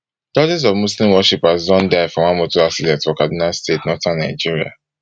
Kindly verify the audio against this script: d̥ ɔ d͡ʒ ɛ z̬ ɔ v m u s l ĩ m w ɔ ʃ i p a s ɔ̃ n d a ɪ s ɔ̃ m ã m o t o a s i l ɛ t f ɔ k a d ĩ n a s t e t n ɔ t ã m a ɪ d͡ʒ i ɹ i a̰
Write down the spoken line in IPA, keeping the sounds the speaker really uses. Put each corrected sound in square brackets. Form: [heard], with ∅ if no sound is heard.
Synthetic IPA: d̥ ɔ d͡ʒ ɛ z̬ ɔ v m u s l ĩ m w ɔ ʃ i p a [z] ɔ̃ n d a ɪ [f] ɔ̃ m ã m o t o a s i l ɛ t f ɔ k a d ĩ n a s t e t n ɔ t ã [n] a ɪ d͡ʒ i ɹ i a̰